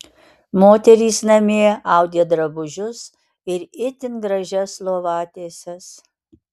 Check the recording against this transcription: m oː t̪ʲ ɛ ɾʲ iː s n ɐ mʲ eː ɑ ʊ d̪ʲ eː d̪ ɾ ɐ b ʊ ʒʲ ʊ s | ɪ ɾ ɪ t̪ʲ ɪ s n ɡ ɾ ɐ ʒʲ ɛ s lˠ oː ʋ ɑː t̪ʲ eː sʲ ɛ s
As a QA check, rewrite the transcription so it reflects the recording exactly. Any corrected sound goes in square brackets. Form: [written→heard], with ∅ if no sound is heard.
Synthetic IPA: m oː t̪ʲ ɛ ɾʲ iː s n ɐ mʲ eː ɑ ʊ d̪ʲ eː d̪ ɾ ɐ b ʊ ʒʲ ʊ s | ɪ ɾ ɪ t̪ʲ ɪ [s→∅] n ɡ ɾ ɐ ʒʲ ɛ s lˠ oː ʋ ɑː t̪ʲ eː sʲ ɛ s

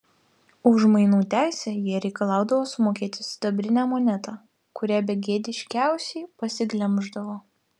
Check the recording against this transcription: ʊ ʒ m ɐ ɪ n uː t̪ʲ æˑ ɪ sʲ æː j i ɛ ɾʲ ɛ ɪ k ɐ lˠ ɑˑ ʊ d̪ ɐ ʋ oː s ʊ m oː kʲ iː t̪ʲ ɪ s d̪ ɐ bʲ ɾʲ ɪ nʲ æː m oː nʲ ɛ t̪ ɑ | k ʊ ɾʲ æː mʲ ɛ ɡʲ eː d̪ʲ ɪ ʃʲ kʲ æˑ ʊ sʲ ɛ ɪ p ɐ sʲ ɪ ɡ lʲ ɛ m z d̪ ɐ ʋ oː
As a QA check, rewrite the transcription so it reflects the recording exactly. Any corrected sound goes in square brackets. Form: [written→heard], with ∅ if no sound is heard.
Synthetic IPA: ʊ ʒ m ɐ ɪ n uː t̪ʲ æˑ ɪ sʲ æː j i ɛ ɾʲ ɛ ɪ k ɐ lˠ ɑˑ ʊ d̪ ɐ ʋ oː s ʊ m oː kʲ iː t̪ʲ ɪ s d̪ ɐ bʲ ɾʲ ɪ nʲ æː m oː nʲ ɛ t̪ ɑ | k ʊ ɾʲ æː [mʲ→bʲ] ɛ ɡʲ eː d̪ʲ ɪ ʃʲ kʲ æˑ ʊ sʲ ɛ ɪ p ɐ sʲ ɪ ɡ lʲ ɛ m [z→ʒ] d̪ ɐ ʋ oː

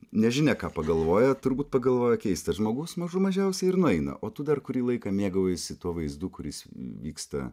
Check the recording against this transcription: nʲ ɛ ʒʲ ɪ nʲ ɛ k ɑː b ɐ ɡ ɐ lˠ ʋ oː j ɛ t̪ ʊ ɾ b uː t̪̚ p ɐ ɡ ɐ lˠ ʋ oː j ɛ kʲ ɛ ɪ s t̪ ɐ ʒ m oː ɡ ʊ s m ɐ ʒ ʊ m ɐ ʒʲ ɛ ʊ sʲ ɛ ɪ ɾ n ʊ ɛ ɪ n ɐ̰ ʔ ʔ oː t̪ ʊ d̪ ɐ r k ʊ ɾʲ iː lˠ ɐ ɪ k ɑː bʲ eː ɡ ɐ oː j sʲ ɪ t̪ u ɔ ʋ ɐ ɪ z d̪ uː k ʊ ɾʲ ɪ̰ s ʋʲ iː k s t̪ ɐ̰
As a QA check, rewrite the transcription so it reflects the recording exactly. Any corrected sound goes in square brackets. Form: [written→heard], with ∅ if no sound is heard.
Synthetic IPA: nʲ ɛ ʒʲ ɪ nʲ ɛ k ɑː [b→p] ɐ ɡ ɐ lˠ ʋ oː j ɛ t̪ ʊ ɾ b uː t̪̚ p ɐ ɡ ɐ lˠ ʋ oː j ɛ kʲ ɛ ɪ s t̪ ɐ ʒ m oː ɡ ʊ s m ɐ ʒ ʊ m ɐ ʒʲ ɛ ʊ sʲ ɛ ɪ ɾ n ʊ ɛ ɪ n ɐ̰ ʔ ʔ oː t̪ ʊ d̪ ɐ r k ʊ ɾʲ iː lˠ ɐ ɪ k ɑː [bʲ→mʲ] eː ɡ ɐ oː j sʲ ɪ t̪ u ɔ ʋ ɐ ɪ z d̪ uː k ʊ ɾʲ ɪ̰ s ʋʲ iː k s t̪ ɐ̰

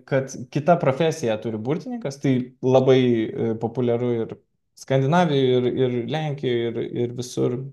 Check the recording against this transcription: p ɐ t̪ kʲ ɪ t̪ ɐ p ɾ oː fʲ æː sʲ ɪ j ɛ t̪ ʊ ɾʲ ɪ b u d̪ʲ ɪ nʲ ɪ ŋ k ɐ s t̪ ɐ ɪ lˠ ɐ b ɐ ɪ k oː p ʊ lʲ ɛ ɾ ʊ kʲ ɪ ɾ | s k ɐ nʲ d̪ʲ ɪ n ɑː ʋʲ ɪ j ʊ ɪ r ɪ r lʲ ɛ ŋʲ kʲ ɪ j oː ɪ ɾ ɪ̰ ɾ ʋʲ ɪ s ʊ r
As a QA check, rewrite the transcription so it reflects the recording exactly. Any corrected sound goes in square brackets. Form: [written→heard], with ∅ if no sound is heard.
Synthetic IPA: [p→k] ɐ t̪ kʲ ɪ t̪ ɐ p ɾ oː fʲ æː sʲ ɪ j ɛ t̪ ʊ ɾʲ ɪ b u [d̪ʲ→t̪ʲ] ɪ nʲ ɪ ŋ k ɐ s t̪ ɐ ɪ lˠ ɐ b ɐ ɪ [k→p] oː p ʊ lʲ ɛ ɾ ʊ [kʲ→∅] ɪ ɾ | s k ɐ nʲ d̪ʲ ɪ n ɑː ʋʲ ɪ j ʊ ɪ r ɪ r lʲ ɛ ŋʲ kʲ ɪ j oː ɪ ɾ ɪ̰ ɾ ʋʲ ɪ s ʊ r

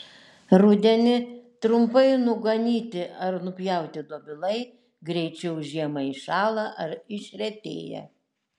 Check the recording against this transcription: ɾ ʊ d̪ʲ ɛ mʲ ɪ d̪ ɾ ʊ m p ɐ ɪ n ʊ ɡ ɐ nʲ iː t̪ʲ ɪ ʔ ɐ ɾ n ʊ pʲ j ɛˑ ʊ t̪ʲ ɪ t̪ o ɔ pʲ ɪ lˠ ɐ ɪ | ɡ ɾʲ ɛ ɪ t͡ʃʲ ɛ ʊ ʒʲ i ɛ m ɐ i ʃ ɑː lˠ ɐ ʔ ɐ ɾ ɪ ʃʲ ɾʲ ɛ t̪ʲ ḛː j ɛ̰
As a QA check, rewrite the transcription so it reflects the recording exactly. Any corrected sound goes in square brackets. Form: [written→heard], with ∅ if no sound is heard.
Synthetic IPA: ɾ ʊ d̪ʲ ɛ [mʲ→nʲ] ɪ [d̪→t̪] ɾ ʊ m p ɐ ɪ n ʊ ɡ ɐ nʲ iː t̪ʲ ɪ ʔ ɐ ɾ n ʊ pʲ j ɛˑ ʊ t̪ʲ ɪ [t̪→d̪] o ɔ [pʲ→bʲ] ɪ lˠ ɐ ɪ | ɡ ɾʲ ɛ ɪ t͡ʃʲ ɛ ʊ ʒʲ i ɛ m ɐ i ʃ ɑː lˠ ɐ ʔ ɐ ɾ ɪ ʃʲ ɾʲ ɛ t̪ʲ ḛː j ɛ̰

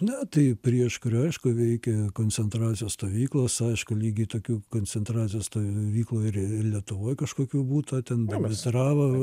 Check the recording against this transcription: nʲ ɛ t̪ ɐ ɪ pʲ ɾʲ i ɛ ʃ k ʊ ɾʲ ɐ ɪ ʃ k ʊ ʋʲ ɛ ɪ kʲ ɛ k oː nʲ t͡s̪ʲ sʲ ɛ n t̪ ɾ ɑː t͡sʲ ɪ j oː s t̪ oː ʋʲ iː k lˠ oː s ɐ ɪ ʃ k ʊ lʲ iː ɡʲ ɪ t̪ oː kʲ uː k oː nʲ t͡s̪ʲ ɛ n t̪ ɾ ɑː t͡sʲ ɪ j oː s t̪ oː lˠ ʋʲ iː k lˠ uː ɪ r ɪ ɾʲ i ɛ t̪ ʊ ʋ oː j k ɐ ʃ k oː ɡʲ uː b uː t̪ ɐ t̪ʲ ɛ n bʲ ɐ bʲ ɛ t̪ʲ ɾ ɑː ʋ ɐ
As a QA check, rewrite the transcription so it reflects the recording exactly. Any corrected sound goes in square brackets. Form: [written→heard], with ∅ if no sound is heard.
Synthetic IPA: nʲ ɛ t̪ ɐ ɪ pʲ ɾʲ i ɛ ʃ k ʊ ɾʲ ɐ ɪ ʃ k ʊ ʋʲ ɛ ɪ kʲ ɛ k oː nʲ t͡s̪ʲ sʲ ɛ n t̪ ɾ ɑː t͡sʲ ɪ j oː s t̪ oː ʋʲ iː k lˠ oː s ɐ ɪ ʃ k ʊ lʲ iː ɡʲ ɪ t̪ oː kʲ uː k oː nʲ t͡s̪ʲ ɛ n t̪ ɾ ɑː t͡sʲ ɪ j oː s t̪ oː [lˠ→∅] ʋʲ iː k lˠ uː ɪ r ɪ [ɾʲ→lʲ] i ɛ t̪ ʊ ʋ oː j k ɐ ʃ k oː [ɡʲ→kʲ] uː b uː t̪ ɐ t̪ʲ ɛ n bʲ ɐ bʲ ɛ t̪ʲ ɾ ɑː ʋ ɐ

